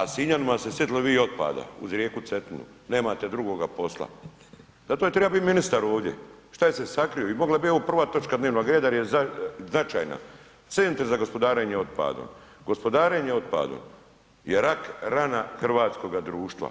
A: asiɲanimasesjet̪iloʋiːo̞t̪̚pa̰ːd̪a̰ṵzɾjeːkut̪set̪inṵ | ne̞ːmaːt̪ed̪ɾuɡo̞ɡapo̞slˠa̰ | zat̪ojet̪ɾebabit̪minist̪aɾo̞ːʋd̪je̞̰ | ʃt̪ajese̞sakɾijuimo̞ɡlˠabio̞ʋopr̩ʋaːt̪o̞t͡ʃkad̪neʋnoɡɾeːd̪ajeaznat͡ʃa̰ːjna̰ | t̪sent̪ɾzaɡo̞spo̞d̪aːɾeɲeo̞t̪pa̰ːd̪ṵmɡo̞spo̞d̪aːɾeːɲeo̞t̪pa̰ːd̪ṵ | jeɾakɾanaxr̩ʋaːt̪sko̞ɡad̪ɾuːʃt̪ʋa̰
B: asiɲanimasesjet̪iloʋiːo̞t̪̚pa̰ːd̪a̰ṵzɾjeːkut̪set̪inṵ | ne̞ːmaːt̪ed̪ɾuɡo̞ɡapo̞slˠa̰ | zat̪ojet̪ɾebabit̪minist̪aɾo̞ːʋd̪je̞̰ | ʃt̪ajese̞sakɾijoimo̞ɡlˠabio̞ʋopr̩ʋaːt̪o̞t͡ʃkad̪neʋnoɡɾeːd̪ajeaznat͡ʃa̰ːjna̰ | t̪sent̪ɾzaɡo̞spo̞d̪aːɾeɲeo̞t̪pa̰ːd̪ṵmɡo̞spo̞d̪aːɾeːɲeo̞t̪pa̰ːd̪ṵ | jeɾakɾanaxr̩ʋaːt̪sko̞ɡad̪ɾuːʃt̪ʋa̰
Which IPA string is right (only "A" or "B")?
B